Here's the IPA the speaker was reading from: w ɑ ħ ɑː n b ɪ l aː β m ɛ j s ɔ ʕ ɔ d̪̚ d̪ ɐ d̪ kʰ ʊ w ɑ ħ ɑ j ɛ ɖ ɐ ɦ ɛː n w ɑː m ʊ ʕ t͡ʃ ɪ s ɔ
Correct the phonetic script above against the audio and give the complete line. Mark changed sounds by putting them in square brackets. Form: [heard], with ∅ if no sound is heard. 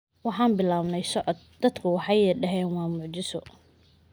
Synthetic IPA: w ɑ ħ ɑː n b ɪ l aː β [n] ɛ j s ɔ ʕ ɔ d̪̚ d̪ ɐ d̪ kʰ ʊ w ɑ ħ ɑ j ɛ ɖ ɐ ɦ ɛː n w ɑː m ʊ ʕ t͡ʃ ɪ s ɔ